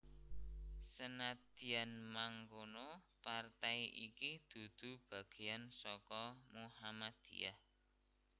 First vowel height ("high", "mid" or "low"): mid